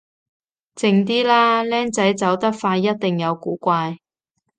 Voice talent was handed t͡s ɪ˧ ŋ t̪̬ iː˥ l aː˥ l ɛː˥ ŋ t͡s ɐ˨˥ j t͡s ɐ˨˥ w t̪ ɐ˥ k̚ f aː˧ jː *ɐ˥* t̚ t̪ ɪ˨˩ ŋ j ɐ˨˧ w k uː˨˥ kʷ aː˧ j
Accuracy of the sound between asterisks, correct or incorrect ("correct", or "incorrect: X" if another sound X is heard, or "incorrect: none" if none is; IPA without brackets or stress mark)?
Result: correct